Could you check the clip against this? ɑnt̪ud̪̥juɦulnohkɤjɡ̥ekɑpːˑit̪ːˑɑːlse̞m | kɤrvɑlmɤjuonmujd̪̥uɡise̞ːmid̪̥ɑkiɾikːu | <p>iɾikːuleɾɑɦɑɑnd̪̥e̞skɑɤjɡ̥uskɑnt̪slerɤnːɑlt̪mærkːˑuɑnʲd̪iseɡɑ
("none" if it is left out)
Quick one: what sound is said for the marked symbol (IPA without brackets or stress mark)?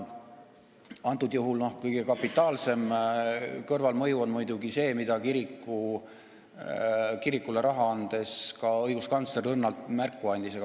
k